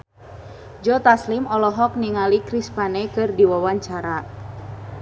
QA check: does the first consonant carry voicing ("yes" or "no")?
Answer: yes